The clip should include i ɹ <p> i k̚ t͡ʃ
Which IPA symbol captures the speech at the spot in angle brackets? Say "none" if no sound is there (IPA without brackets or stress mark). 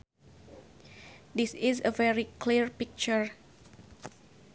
p